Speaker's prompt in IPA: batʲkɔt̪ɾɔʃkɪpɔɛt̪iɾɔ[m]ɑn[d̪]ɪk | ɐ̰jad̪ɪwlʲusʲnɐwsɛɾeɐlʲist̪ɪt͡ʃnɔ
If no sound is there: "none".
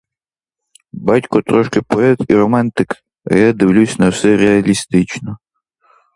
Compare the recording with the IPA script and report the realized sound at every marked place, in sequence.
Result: m, t̪

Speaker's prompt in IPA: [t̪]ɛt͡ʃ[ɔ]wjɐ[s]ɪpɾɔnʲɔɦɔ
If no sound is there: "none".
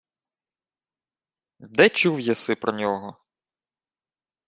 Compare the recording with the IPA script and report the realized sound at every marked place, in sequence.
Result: d̪, u, s

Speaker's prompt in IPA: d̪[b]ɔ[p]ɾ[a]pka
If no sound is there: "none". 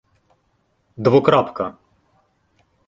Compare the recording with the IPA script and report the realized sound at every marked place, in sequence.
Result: v, k, a

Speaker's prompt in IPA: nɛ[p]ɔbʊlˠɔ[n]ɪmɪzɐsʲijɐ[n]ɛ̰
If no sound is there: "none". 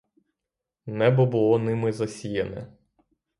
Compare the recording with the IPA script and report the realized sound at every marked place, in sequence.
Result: b, n, n

